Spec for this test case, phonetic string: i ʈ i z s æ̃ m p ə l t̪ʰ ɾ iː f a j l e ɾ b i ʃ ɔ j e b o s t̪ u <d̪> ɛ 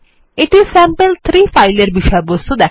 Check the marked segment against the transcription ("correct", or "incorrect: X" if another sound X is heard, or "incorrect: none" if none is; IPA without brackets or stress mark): correct